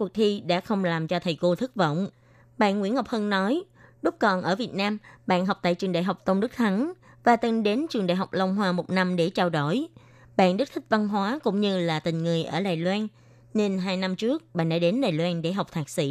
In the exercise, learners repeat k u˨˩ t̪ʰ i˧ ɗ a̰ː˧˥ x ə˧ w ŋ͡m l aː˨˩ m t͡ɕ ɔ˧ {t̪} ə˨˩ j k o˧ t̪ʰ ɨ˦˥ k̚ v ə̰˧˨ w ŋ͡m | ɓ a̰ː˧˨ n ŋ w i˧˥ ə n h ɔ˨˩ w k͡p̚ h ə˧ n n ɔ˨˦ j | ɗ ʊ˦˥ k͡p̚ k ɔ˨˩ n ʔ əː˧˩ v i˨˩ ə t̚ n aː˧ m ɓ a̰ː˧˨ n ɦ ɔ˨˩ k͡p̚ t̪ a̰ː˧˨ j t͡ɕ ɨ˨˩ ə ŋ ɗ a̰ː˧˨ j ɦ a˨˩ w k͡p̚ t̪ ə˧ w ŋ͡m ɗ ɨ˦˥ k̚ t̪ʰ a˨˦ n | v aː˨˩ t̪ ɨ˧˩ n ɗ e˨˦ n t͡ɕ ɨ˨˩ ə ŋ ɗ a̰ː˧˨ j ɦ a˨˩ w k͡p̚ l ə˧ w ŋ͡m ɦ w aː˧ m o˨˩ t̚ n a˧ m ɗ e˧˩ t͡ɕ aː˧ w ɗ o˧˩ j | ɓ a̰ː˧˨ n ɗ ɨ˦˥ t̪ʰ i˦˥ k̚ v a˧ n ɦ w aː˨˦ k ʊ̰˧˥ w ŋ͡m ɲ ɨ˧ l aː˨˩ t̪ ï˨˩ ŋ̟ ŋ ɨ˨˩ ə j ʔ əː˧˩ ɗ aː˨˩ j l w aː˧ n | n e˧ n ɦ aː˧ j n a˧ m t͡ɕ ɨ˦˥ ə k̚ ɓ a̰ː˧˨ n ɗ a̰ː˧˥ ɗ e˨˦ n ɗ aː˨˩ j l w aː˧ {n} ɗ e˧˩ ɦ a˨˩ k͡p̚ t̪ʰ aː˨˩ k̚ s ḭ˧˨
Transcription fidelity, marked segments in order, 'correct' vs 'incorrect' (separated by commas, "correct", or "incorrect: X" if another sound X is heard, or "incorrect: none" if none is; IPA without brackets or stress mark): incorrect: t̪ʰ, correct